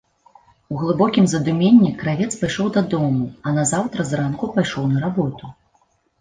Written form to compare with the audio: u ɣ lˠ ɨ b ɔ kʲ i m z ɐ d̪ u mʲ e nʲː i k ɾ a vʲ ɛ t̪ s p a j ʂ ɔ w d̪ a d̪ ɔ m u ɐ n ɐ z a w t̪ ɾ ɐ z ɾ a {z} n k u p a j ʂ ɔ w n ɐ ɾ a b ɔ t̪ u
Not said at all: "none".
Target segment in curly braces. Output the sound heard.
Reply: none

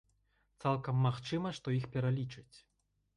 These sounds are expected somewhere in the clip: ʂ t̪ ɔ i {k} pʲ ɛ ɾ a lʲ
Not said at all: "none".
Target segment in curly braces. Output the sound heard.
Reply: x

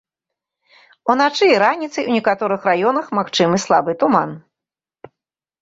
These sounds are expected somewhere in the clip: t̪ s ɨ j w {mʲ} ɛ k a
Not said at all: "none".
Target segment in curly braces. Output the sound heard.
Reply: nʲ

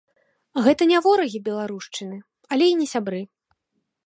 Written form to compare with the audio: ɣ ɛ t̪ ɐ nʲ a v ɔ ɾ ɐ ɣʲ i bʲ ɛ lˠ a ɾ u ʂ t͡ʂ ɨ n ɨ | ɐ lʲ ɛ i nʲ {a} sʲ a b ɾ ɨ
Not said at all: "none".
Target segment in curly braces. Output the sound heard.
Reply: ɛ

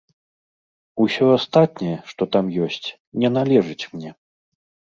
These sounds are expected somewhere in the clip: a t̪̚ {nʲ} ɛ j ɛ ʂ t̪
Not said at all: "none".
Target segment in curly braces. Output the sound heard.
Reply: nʲ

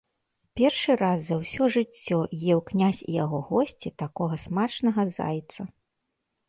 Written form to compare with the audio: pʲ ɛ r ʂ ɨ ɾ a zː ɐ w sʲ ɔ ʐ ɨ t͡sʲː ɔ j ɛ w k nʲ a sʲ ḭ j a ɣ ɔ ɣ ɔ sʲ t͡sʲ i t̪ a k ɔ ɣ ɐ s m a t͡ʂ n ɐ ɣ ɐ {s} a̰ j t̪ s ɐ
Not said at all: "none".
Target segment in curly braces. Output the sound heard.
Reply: z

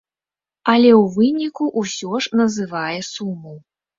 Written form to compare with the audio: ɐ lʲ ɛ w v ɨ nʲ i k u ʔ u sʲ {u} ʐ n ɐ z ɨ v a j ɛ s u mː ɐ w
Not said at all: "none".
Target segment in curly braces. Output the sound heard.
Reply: ɔ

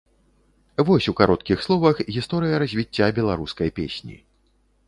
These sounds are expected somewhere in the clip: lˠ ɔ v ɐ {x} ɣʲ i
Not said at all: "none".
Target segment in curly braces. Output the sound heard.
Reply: x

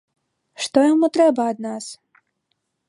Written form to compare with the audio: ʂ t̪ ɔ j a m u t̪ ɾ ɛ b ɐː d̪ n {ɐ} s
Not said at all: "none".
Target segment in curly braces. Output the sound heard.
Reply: a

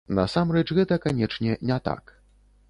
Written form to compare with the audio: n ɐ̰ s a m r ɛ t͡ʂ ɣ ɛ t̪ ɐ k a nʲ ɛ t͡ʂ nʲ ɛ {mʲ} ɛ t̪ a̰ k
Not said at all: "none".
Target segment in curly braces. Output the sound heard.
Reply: nʲ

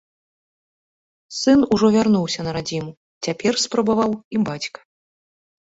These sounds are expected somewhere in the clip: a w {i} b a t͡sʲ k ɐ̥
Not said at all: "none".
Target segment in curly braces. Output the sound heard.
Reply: i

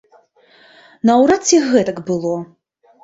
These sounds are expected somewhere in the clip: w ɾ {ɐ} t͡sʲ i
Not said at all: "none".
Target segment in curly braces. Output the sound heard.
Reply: a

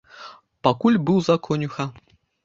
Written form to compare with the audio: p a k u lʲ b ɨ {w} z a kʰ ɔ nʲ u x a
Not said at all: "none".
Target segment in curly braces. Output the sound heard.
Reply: w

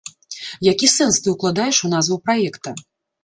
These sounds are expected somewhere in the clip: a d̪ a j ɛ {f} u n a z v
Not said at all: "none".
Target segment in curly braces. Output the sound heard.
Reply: ʂ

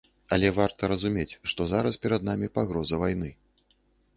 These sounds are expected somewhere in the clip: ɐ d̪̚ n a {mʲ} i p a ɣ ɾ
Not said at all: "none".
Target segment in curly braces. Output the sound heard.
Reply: mʲ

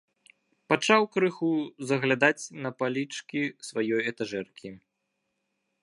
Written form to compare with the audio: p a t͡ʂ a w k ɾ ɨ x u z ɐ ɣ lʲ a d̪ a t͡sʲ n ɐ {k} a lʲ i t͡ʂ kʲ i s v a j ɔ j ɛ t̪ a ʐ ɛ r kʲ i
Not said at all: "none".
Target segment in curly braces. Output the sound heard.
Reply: p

